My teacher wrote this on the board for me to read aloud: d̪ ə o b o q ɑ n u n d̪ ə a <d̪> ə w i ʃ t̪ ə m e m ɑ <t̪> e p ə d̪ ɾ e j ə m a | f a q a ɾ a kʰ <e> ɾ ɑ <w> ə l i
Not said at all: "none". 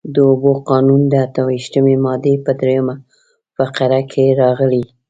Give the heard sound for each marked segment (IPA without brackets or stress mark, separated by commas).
t̪, d̪, e, ɣ